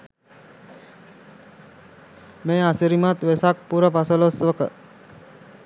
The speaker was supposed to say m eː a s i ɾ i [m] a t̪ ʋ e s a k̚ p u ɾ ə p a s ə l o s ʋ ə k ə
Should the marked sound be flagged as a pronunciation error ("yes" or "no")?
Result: no